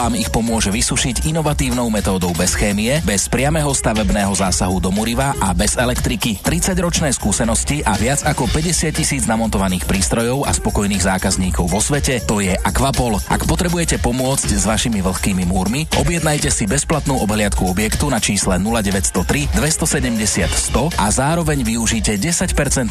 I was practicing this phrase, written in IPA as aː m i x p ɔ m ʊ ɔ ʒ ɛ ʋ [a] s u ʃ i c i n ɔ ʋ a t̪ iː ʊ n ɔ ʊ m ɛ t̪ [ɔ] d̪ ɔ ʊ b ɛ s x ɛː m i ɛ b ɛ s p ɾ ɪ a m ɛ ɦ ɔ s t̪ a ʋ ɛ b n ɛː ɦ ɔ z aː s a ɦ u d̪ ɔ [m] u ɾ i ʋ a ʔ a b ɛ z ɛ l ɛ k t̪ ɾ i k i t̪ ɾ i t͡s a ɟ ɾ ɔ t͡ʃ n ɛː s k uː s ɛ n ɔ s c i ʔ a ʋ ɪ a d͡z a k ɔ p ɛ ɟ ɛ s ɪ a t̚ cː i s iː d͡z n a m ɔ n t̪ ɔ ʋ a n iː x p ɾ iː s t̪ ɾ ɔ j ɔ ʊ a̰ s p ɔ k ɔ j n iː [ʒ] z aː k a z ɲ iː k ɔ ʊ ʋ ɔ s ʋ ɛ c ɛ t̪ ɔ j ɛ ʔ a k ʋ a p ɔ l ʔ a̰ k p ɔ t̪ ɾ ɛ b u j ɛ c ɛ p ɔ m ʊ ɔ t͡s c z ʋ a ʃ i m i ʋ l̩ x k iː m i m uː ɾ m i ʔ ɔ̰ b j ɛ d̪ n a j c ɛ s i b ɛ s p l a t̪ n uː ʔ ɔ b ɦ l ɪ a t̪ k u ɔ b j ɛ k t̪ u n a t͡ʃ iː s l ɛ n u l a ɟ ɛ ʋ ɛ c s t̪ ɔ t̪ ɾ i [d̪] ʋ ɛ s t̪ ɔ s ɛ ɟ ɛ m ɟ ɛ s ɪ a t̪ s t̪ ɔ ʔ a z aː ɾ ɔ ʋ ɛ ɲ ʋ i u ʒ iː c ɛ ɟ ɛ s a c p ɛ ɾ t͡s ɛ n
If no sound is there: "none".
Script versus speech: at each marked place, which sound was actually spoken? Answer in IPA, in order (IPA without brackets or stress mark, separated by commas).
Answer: i, ɔː, m, ɣ, d̪